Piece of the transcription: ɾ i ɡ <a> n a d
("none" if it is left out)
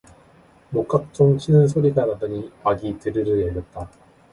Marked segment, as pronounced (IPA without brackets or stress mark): a